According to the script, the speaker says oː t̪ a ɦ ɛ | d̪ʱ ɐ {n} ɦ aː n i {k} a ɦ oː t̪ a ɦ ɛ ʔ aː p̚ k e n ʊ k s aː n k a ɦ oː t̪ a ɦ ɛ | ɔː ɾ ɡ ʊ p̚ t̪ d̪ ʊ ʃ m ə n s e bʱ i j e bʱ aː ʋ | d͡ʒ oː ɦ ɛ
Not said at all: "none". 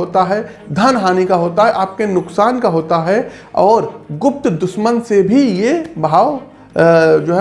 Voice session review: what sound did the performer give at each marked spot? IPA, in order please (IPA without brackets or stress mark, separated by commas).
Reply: n, k